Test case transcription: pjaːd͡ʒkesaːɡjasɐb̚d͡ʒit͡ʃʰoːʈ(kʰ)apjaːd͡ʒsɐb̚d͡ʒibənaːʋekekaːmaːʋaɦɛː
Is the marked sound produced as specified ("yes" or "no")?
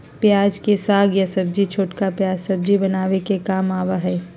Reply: no